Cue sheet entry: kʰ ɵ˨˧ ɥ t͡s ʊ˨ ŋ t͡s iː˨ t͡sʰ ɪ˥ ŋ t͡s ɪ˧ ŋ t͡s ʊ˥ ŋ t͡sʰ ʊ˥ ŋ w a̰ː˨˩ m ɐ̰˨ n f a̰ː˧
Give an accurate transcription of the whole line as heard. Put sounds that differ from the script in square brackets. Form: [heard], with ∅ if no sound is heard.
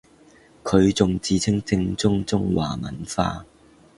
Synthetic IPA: kʰ ɵ˨˧ ɥ t͡s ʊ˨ ŋ t͡s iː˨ t͡sʰ ɪ˥ ŋ t͡s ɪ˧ ŋ t͡s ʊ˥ ŋ [t͡s] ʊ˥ ŋ w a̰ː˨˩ m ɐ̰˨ n f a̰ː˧